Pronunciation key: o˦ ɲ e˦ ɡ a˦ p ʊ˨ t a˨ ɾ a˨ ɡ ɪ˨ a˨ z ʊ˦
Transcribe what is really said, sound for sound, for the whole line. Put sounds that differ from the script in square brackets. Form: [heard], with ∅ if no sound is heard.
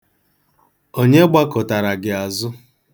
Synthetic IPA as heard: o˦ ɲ e˦ [ɡ͡b] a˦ [k] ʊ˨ t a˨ ɾ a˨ ɡ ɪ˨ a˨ z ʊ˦